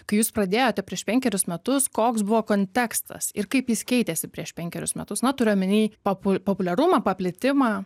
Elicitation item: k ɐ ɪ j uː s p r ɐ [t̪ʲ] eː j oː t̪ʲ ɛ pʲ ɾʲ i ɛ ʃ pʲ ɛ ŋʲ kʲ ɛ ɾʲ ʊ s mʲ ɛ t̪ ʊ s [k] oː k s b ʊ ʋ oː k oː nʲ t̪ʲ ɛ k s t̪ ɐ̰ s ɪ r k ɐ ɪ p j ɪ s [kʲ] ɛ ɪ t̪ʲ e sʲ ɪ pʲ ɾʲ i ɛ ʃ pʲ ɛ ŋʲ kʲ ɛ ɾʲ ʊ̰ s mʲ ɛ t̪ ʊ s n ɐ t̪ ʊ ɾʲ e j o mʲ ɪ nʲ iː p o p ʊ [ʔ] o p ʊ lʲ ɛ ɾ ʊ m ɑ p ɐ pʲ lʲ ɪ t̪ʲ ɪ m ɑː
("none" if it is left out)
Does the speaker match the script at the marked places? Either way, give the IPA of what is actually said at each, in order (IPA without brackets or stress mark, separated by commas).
d̪ʲ, k, kʲ, p